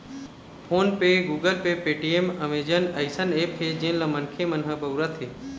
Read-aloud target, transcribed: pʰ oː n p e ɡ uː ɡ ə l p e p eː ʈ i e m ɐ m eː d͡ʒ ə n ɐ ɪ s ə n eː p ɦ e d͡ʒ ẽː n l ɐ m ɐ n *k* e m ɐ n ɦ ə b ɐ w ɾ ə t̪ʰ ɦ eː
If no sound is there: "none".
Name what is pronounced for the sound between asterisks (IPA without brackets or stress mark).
kʰ